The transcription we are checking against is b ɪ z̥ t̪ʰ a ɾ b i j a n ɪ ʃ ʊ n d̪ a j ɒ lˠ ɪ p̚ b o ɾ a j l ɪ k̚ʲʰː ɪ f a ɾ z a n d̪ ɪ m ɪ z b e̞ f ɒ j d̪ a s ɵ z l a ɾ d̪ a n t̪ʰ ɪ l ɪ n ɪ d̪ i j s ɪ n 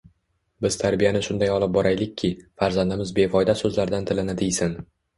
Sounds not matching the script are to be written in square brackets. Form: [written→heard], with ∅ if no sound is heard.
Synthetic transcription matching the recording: b ɪ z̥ t̪ʰ a ɾ b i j a n ɪ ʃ ʊ n d̪ a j ɒ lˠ ɪ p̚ b [o→ɒ] ɾ a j l ɪ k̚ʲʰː ɪ f a ɾ z a n d̪ ɪ m ɪ z b e̞ f ɒ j d̪ a s ɵ z l a ɾ d̪ a n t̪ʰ ɪ l ɪ n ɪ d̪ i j s ɪ n